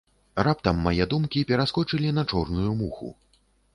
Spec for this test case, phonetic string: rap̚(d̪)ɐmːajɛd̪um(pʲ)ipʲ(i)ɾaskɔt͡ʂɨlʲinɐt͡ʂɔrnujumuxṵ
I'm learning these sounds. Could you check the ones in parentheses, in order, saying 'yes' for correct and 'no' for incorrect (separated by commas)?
no, no, no